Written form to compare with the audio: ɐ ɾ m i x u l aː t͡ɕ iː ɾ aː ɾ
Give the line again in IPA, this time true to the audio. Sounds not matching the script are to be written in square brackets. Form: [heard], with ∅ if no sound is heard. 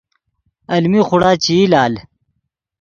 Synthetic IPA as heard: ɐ [l] m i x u [ɽ] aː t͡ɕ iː [l] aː [l]